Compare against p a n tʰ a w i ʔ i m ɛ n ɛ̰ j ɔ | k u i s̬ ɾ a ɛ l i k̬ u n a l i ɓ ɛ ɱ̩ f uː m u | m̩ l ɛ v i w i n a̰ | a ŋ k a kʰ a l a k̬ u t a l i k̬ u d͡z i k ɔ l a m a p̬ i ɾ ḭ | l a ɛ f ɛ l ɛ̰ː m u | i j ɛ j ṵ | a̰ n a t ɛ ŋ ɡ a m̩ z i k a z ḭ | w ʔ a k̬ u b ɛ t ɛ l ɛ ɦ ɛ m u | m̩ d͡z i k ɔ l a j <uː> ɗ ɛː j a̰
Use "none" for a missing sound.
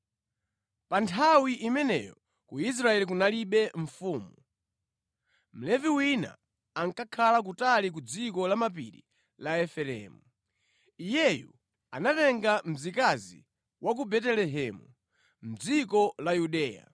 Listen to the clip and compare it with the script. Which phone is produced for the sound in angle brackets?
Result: u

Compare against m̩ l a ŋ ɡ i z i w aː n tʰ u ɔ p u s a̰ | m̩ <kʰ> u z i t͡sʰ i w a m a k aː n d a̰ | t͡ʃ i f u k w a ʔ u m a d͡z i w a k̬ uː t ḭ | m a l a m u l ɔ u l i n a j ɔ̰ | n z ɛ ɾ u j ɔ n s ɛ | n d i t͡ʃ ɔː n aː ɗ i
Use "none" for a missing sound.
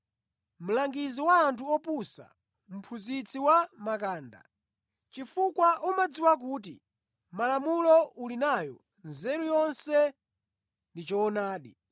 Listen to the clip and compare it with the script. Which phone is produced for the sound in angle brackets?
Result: pʰ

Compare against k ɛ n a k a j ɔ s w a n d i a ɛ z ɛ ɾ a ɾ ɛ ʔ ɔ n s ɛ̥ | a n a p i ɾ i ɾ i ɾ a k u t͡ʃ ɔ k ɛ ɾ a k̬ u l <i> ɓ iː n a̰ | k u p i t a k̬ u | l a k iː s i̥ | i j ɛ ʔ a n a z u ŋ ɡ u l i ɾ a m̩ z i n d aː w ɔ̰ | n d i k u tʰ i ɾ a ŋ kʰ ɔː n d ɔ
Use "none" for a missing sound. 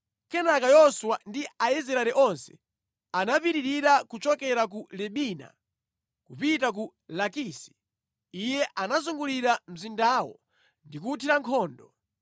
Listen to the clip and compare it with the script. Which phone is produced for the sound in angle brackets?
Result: ɛ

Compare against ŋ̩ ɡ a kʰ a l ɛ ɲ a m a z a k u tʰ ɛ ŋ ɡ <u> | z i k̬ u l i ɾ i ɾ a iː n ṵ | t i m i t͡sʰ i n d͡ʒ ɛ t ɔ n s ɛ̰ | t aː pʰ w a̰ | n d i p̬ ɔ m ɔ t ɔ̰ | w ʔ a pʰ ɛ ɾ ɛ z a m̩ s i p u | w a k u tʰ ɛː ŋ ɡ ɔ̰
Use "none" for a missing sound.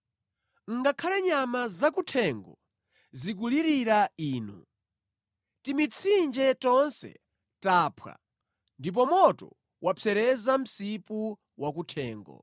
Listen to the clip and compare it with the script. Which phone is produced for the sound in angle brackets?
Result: ɔ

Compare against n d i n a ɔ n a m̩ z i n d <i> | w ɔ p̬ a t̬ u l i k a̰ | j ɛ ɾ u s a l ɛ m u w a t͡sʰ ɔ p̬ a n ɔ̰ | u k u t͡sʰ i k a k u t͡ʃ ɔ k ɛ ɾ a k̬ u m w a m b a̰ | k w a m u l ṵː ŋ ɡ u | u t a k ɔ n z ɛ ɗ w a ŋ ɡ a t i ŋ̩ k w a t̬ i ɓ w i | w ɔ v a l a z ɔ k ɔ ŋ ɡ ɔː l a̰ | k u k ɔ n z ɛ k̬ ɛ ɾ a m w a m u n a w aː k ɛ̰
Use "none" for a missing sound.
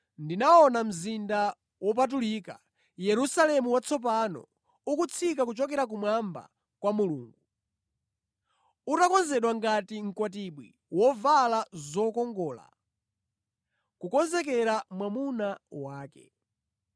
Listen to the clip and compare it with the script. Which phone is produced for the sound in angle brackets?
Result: a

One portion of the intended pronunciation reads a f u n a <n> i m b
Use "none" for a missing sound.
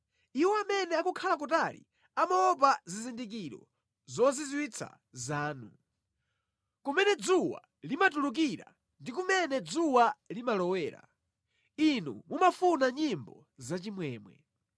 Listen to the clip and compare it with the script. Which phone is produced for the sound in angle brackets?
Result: ɲ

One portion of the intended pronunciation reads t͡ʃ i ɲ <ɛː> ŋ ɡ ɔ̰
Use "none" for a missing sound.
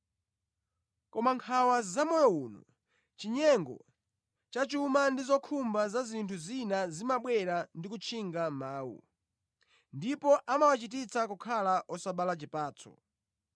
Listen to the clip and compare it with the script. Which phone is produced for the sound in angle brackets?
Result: ɛ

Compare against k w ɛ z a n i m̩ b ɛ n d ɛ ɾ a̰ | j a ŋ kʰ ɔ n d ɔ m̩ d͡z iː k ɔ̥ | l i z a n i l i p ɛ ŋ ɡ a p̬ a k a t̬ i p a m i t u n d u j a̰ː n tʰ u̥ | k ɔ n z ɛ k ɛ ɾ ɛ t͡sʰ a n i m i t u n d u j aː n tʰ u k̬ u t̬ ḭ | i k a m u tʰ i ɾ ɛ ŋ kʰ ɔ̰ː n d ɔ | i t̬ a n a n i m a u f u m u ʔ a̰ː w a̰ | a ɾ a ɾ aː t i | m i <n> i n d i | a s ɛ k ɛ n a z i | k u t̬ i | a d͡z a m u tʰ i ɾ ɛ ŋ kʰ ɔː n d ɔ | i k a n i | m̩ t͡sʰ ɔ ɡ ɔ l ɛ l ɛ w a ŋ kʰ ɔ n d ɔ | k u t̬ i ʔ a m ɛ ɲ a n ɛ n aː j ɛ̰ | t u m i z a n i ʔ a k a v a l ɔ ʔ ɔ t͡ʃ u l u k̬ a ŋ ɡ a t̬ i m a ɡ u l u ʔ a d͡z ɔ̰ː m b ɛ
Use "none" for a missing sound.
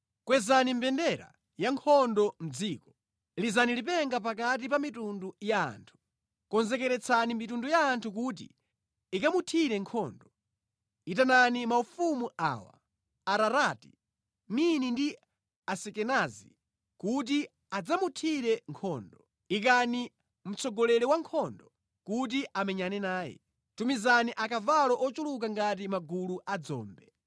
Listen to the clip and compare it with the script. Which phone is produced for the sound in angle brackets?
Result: n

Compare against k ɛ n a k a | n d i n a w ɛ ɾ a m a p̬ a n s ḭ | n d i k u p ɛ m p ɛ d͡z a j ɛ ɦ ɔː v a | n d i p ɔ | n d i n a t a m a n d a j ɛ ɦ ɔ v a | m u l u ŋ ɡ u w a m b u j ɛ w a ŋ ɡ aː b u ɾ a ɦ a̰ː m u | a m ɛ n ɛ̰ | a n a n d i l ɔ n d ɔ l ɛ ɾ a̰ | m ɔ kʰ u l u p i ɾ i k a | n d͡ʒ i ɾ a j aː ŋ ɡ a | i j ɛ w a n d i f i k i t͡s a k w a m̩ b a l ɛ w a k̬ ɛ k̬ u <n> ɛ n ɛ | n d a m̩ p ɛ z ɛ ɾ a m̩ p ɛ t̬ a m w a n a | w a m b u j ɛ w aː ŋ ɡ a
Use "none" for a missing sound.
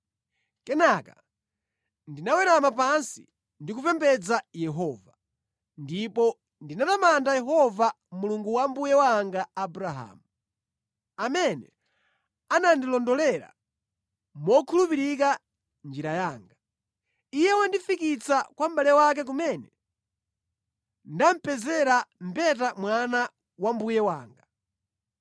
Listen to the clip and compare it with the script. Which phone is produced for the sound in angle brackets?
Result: m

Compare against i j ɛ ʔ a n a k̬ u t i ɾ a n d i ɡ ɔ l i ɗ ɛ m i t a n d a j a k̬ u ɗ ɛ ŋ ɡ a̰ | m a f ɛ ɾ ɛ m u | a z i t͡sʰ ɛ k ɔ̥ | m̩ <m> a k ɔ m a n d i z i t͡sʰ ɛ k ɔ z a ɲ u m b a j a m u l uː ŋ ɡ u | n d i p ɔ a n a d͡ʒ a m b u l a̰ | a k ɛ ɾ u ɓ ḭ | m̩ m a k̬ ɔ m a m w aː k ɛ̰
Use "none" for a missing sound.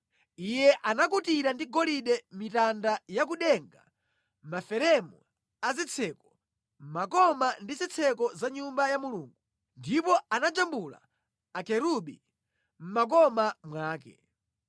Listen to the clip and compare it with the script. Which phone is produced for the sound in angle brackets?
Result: m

